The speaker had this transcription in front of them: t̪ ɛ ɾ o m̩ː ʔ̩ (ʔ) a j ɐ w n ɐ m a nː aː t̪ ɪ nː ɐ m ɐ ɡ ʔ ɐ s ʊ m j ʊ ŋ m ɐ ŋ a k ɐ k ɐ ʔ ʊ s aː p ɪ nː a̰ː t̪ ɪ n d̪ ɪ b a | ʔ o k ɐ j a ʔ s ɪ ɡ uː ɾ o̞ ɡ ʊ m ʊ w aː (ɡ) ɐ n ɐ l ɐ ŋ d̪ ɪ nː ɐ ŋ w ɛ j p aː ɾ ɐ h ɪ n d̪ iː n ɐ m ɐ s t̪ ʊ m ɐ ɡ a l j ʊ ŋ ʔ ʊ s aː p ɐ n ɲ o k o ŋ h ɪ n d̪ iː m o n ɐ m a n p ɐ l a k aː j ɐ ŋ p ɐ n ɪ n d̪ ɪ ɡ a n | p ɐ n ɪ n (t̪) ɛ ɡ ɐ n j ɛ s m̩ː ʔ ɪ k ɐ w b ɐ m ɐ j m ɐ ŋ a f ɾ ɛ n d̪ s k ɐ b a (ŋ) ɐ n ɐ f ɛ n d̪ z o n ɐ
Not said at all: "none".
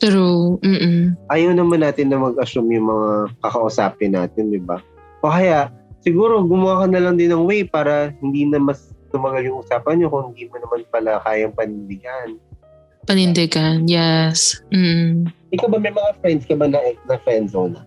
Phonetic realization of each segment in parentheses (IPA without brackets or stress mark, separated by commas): ʔ, k, d̪, n